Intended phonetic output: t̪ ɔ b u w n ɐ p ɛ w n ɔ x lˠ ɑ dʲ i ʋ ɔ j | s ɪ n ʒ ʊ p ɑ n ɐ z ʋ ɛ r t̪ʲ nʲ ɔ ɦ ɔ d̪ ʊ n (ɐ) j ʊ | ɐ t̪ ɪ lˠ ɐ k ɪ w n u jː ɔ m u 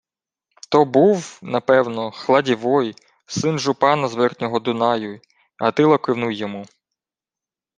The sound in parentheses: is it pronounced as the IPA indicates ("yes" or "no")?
no